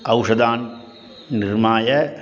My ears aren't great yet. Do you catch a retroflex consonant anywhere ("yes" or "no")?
yes